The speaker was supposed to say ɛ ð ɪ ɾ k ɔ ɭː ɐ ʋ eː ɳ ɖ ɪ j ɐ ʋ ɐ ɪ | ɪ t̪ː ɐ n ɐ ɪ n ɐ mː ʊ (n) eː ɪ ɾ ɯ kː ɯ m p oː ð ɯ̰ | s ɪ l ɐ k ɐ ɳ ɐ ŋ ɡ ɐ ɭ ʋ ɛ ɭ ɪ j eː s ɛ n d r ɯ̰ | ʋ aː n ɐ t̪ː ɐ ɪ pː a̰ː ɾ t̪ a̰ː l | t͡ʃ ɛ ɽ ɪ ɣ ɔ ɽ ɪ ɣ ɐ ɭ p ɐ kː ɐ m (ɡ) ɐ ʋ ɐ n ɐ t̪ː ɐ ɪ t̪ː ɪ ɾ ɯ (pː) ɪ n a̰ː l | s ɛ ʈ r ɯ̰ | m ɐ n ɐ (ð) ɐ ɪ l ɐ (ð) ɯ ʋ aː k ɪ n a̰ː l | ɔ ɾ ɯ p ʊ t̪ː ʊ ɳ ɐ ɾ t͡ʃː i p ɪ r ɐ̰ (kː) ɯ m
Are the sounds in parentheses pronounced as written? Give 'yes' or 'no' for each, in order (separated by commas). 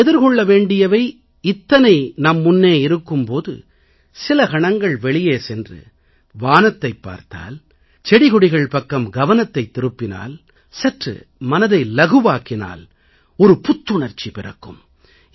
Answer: no, yes, yes, yes, no, yes